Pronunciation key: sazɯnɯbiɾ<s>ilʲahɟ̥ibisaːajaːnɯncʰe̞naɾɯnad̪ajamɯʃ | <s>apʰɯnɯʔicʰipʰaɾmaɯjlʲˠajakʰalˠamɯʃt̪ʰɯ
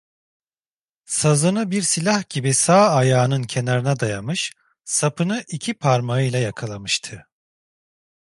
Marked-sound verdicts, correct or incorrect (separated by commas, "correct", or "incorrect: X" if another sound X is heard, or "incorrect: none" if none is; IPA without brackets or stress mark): correct, correct